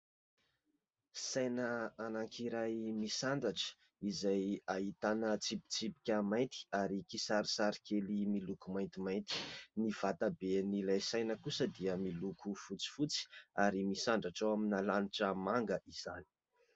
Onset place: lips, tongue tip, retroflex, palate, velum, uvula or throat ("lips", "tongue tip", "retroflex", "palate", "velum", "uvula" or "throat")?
tongue tip